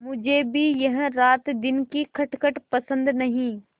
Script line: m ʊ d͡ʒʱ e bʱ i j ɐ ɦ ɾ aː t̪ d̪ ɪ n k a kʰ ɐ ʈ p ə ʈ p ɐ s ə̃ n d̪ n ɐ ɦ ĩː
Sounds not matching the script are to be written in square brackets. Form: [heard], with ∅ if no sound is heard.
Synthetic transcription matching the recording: m ʊ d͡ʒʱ e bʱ i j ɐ ɦ ɾ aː t̪ d̪ ɪ n k [i] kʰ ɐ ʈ [k] ə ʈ p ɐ s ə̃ n d̪ n ɐ ɦ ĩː